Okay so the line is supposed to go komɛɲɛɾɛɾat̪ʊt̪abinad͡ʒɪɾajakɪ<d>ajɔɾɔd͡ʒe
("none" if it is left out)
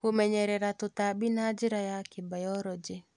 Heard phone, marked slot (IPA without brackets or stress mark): b